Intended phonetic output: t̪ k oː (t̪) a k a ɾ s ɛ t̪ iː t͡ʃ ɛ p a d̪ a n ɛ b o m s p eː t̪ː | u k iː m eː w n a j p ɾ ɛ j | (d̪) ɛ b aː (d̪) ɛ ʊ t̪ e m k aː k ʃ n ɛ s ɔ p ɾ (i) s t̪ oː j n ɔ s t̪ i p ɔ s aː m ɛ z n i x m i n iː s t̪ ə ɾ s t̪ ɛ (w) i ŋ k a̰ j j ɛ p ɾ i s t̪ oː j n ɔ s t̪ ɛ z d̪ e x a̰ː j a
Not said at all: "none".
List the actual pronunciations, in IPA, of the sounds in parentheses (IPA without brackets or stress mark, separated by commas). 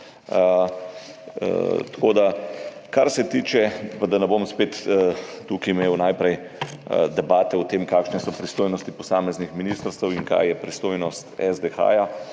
d̪, d̪, t̪, i, w